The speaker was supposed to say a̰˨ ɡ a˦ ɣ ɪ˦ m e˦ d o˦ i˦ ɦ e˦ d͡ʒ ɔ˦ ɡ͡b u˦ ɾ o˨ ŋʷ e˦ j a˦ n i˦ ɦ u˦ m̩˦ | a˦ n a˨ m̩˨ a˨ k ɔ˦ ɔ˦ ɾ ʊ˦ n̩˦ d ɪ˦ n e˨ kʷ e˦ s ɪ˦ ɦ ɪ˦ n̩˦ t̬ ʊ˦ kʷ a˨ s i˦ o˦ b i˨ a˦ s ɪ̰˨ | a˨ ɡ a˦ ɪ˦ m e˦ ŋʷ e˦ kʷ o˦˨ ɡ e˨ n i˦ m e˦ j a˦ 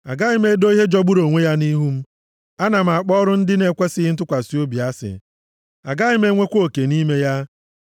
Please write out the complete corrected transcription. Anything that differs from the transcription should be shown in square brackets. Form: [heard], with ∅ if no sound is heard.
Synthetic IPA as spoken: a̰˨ ɡ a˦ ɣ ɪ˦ m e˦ d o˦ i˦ ɦ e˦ d͡ʒ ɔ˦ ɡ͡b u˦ ɾ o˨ ŋʷ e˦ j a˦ n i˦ ɦ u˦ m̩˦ | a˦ n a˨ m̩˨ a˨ [k͡p] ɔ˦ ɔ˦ ɾ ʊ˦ n̩˦ d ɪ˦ n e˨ kʷ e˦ s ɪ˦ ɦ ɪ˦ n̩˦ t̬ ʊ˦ kʷ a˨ s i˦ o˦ b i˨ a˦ s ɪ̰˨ | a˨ ɡ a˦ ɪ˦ m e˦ ŋʷ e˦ kʷ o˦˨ [k] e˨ n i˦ m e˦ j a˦